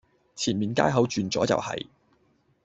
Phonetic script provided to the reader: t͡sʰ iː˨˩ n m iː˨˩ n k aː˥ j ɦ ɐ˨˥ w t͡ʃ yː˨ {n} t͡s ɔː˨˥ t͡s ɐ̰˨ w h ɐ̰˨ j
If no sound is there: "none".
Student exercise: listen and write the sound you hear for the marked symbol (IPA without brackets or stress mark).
n